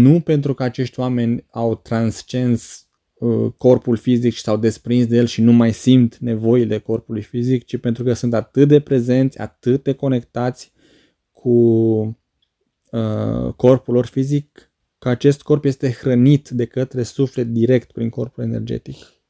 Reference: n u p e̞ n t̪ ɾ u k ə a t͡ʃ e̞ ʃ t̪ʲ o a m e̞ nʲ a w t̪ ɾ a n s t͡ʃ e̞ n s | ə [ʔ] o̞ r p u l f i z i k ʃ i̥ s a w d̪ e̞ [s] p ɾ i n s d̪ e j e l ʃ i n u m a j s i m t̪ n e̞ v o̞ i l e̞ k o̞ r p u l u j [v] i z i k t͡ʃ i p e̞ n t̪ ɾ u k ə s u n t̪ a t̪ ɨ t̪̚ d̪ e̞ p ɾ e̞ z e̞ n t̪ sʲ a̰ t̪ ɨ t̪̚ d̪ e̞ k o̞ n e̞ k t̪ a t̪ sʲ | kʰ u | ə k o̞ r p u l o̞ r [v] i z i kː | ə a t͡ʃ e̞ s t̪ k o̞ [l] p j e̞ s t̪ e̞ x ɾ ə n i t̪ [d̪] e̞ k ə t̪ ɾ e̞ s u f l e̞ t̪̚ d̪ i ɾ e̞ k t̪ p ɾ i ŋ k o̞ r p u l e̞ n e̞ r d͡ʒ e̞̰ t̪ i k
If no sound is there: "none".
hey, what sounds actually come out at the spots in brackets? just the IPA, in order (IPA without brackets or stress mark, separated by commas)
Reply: k, s, f, f, r, d̪